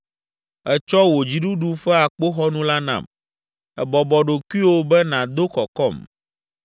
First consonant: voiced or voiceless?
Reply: voiceless